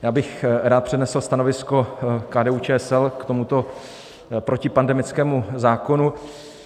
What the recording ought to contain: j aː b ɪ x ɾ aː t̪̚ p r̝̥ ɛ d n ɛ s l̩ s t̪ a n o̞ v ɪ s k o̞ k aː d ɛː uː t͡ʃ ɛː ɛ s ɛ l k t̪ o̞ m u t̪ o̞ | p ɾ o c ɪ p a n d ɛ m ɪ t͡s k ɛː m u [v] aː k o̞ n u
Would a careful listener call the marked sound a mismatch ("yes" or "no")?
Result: yes